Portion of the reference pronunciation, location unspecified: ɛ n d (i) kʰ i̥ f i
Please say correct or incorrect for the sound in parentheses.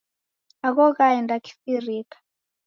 incorrect